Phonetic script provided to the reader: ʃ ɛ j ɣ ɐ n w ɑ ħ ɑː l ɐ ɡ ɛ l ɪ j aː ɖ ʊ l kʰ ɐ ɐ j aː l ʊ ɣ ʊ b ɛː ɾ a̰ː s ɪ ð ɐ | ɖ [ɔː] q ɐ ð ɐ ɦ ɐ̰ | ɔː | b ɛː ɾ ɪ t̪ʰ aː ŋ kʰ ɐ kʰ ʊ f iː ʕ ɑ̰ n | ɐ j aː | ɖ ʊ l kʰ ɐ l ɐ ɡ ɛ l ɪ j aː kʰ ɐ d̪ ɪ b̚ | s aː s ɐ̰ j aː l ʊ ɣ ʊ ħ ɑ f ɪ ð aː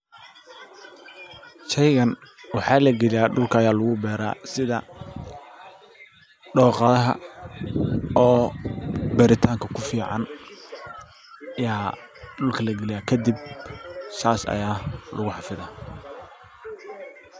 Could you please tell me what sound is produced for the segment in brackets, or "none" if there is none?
ɔː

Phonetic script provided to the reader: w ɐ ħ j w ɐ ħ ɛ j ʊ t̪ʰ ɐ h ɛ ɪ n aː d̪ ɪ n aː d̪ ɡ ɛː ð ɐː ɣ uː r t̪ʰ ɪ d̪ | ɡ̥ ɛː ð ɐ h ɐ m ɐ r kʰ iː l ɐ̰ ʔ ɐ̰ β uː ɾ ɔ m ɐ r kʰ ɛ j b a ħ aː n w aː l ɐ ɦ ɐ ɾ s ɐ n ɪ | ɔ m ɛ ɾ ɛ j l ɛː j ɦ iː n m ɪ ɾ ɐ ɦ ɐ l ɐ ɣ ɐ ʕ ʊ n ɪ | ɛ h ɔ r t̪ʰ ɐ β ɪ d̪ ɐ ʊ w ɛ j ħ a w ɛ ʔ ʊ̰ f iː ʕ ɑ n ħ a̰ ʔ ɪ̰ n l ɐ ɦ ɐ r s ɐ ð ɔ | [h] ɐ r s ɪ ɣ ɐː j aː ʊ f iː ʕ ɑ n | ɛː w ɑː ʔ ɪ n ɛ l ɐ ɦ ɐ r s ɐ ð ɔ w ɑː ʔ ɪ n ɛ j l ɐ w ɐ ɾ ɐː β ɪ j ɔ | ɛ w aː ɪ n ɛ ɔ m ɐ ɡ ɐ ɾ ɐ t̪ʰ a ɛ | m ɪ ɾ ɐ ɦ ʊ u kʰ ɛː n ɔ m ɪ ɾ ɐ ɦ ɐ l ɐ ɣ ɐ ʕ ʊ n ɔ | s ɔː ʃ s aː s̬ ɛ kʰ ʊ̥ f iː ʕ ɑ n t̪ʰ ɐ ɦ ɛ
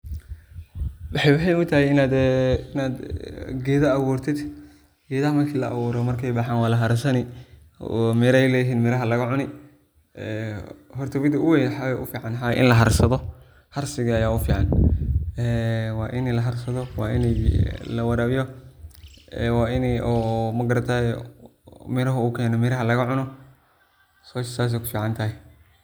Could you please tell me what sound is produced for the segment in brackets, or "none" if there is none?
h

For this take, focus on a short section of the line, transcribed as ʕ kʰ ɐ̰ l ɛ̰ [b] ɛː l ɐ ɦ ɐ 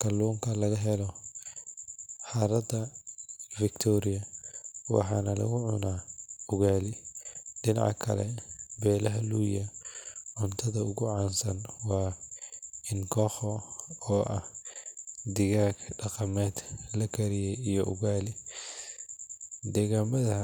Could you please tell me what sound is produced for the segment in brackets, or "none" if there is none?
b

